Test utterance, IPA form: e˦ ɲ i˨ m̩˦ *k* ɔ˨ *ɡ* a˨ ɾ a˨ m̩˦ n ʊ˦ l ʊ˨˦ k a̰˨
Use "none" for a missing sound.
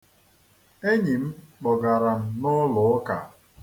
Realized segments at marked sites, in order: k͡p, ɡ

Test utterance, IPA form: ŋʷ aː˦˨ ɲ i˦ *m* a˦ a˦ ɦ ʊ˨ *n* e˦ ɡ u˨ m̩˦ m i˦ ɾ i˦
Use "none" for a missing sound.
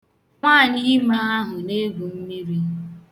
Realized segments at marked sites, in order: m, n

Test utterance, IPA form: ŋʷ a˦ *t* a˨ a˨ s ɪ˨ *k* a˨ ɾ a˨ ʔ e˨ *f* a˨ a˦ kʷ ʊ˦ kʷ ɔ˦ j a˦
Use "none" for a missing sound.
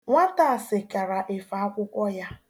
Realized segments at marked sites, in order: t, k, f

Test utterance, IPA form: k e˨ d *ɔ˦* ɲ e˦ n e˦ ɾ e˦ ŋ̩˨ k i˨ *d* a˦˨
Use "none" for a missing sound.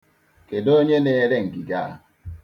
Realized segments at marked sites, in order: o˦, ɡ

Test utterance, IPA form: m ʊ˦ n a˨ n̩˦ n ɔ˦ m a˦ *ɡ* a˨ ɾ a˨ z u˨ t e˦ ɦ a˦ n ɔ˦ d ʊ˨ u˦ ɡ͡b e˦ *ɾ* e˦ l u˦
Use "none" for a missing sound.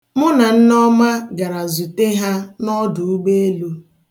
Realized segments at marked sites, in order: ɡ, none

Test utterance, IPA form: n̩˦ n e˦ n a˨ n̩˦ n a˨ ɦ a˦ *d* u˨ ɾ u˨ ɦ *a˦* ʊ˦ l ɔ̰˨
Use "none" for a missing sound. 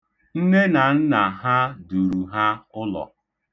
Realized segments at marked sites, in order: d, a˦

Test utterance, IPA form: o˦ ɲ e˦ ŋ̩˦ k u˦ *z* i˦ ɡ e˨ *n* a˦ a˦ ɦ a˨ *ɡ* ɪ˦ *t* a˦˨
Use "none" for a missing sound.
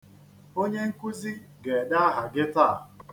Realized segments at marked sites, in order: z, d, ɡ, t

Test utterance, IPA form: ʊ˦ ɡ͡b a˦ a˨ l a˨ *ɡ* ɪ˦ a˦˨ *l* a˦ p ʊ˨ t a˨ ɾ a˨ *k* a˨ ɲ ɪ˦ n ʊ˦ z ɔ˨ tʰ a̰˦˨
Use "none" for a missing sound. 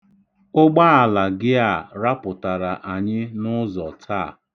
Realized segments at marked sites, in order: ɡ, ɾ, ʔ

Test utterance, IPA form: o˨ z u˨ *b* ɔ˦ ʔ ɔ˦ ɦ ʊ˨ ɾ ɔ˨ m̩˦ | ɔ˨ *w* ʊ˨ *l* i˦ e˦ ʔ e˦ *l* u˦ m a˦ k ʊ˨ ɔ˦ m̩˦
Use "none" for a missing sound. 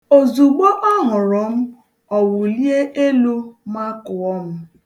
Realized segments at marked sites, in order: ɡ͡b, w, l, l

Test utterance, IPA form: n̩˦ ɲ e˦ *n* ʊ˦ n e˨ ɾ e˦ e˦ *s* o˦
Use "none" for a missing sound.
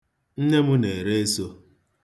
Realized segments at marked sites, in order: m, s

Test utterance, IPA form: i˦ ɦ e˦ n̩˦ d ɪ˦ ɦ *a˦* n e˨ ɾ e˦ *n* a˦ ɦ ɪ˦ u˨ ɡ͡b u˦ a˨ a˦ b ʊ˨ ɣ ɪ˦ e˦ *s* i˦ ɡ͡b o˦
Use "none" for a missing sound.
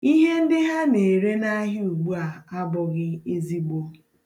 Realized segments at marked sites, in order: a˦, n, z

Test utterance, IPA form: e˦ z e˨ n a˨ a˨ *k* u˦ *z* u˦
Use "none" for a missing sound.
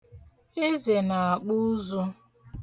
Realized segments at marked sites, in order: k͡p, z

